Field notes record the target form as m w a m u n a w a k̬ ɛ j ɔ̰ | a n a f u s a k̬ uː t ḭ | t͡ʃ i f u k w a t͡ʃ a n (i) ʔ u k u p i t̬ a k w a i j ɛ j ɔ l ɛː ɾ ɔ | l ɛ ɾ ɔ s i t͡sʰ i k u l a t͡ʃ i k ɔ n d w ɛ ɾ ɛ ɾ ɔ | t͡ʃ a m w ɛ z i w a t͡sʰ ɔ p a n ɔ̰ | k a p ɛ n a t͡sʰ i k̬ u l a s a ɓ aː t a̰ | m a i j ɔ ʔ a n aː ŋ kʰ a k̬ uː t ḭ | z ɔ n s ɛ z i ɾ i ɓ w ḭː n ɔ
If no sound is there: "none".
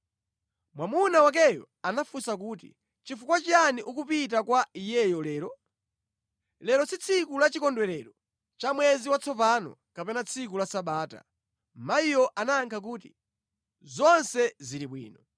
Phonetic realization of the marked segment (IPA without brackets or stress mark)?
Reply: i